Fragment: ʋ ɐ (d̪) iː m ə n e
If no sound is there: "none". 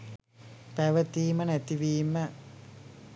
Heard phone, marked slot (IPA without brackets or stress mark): t̪